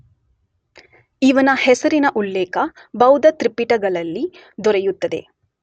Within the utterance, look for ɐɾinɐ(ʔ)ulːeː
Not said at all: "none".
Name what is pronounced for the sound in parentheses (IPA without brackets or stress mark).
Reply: ʔ